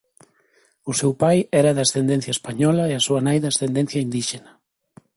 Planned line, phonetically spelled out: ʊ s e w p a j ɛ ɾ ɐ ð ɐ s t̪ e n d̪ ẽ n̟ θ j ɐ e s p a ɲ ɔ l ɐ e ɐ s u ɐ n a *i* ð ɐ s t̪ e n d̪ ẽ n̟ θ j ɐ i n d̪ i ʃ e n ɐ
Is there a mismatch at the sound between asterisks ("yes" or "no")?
yes